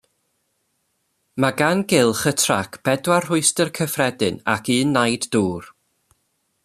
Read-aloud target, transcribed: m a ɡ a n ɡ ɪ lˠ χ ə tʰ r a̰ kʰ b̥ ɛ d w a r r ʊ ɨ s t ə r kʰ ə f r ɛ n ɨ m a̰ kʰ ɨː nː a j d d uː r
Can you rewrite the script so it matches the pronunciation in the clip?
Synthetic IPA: m a ɡ a n ɡ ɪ lˠ χ ə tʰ r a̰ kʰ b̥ ɛ d w a r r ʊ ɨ s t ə r kʰ ə f r ɛ d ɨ n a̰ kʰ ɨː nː a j d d uː r